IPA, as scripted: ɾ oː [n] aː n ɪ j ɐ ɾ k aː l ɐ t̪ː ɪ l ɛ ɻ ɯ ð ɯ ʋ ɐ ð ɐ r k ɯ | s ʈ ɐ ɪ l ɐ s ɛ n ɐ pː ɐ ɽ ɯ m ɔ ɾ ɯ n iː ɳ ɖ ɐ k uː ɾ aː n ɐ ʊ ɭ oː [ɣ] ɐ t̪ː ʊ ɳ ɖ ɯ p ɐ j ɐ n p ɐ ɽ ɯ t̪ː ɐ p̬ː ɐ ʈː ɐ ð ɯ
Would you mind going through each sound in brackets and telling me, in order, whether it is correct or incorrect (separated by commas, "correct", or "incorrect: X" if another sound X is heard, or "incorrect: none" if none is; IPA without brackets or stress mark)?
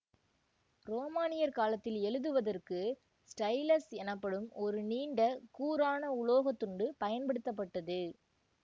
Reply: incorrect: m, correct